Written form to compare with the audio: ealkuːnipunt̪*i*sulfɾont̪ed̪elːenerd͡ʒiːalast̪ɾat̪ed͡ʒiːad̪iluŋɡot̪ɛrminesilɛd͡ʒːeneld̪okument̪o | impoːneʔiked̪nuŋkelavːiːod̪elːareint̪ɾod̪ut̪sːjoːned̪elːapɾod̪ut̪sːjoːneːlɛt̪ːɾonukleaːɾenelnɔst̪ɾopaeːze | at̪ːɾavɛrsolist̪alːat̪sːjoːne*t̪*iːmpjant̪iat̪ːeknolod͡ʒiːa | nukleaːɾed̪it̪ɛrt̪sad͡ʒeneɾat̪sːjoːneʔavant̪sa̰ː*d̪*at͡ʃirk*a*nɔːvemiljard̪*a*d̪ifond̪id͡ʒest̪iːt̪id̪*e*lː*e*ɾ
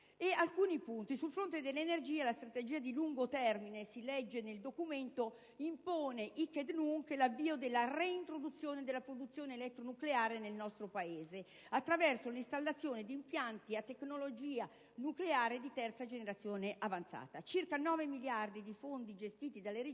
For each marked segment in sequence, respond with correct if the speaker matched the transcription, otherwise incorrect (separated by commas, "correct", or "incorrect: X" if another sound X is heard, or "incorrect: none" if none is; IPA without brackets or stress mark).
correct, incorrect: d̪, incorrect: t̪, correct, incorrect: i, incorrect: a, correct